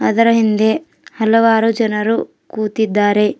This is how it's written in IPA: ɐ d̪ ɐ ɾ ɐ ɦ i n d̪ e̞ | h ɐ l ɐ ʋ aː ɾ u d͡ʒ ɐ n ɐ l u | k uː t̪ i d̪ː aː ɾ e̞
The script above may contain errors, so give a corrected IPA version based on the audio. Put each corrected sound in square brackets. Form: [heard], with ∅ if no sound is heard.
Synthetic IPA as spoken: ɐ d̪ ɐ ɾ ɐ ɦ i n d̪ e̞ | h ɐ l ɐ ʋ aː ɾ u d͡ʒ ɐ n ɐ [ɾ] u | k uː t̪ i d̪ː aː ɾ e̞